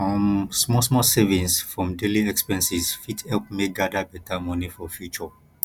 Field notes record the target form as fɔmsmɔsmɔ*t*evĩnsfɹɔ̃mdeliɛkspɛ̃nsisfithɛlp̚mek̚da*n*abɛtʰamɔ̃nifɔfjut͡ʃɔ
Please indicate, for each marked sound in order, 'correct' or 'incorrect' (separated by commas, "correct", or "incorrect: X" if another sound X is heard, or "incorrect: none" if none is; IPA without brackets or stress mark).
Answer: incorrect: s, incorrect: d